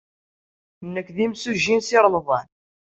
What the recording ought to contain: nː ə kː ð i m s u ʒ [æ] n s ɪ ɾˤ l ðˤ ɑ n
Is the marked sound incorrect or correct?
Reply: incorrect